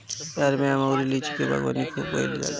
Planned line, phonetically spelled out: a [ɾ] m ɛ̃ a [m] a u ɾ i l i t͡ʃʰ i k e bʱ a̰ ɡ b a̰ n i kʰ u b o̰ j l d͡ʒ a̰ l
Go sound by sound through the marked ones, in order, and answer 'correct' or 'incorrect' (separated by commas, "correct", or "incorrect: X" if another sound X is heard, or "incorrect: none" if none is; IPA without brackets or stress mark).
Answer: correct, correct